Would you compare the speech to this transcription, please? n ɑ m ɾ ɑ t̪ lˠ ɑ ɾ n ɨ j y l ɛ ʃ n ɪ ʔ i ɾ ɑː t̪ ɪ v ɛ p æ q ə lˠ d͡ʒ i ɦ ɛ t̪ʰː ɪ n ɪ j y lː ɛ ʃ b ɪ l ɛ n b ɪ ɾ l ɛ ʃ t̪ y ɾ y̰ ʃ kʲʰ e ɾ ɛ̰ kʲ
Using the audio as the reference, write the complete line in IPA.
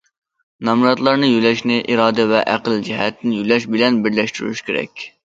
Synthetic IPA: n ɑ m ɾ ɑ t̪ lˠ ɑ ɾ n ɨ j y l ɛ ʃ n ɪ ʔ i ɾ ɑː d̪ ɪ v ɛ ʔ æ q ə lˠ d͡ʒ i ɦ ɛ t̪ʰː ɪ n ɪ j y l ɛ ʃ b ɪ l ɛ n b ɪ ɾ l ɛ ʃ t̪ y ɾ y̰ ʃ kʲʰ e ɾ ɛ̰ kʲ

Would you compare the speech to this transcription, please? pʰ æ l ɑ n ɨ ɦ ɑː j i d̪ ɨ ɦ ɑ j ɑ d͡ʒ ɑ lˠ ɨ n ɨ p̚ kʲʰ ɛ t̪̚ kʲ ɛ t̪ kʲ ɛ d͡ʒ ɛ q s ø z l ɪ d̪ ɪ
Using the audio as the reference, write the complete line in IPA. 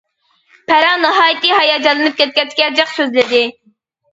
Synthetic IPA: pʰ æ ɾ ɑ n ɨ ɦ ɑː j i t̪ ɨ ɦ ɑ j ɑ d͡ʒ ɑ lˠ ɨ n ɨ p̚ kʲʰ ɛ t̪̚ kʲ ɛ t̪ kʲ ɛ d͡ʒ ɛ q s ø z l ɪ d̪ ɪ

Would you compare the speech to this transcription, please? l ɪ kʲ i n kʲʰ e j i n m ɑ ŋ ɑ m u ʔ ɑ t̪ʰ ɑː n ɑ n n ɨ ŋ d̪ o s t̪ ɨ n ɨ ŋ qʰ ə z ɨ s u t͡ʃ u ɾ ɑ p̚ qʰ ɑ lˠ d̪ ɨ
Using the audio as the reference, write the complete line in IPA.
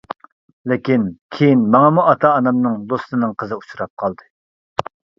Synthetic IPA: l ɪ kʲ i n kʲʰ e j i n m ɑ ŋ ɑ m u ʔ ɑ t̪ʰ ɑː n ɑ m n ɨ ŋ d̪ o s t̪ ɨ n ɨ ŋ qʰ ə z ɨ u t͡ʃ u ɾ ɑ p̚ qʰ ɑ lˠ d̪ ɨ

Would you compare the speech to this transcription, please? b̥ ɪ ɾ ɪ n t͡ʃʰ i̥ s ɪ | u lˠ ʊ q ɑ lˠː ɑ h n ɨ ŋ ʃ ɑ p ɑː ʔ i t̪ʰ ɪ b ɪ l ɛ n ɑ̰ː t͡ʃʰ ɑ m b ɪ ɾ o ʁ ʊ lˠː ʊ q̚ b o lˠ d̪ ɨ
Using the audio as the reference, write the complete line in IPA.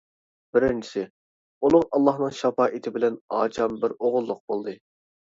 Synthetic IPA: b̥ ɪ ɾ ɪ n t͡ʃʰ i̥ s ɪ | u lˠ ʊ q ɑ lˠː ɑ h n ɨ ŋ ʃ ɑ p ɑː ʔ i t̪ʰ ɪ b ɪ l ɛ n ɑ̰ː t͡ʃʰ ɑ m b ɪ ɾ o ʁ ʊ lˠː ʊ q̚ b o lˠ d̪ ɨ

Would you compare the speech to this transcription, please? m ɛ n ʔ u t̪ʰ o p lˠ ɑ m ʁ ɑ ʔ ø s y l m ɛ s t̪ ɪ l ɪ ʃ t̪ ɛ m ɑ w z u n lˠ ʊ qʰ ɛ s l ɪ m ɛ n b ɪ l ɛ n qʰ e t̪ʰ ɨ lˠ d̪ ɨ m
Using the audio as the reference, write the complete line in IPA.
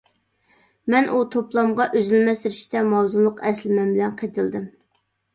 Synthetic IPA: m ɛ n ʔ u t̪ʰ o p lˠ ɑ m ʁ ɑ ʔ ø z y l m ɛ s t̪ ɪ ɾ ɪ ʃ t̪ ɛ m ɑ w z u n lˠ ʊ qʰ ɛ s l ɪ m ɛ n b ɪ l ɛ n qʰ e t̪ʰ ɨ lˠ d̪ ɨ m

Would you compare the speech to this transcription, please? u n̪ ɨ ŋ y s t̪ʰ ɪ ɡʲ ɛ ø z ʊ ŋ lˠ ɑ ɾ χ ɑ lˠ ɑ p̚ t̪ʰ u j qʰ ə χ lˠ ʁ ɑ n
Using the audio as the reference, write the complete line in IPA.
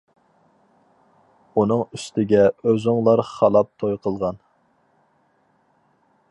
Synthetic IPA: u n̪ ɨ ŋ y s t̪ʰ ɪ ɡʲ ɛ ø z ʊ ŋ lˠ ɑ ɾ χ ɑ lˠ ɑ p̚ t̪ʰ o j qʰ ə lˠ ʁ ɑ n

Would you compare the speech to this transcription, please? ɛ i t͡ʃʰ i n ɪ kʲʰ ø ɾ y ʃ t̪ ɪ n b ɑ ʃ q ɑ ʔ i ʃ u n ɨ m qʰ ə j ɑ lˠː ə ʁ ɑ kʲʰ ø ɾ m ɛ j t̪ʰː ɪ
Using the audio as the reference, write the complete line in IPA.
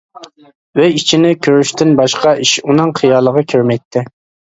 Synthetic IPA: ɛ i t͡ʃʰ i n ɪ kʲʰ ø ɾ y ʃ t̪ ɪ n b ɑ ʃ q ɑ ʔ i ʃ u n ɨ ŋ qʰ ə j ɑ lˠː ə ʁ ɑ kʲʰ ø ɾ m ɛ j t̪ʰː ɪ

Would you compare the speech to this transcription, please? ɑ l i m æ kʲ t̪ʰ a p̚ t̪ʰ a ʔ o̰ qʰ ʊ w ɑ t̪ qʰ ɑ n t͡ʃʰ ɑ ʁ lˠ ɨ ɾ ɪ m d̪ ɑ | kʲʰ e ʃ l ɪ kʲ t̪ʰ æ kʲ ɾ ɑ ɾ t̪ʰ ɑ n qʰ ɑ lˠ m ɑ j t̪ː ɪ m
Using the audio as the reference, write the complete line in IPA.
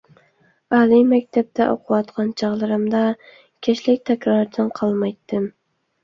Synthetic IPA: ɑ l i m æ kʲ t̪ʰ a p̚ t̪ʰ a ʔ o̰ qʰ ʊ w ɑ t̪ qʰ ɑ n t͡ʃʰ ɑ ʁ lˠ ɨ ɾ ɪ m d̪ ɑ | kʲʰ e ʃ l ɪ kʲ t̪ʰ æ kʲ ɾ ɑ ɾ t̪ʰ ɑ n qʰ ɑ lˠ m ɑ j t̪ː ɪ m

